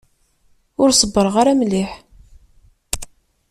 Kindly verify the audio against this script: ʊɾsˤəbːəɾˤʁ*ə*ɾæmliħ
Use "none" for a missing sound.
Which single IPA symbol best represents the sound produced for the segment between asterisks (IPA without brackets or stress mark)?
a